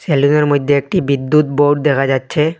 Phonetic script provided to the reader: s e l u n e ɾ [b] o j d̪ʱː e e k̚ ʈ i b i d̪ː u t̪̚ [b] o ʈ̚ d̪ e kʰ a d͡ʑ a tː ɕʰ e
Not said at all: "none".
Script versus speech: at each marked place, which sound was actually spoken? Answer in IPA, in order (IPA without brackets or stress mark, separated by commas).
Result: m, b